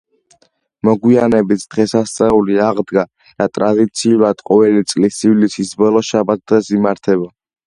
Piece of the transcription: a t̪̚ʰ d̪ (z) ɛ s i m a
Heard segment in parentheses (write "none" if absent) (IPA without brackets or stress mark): ʁ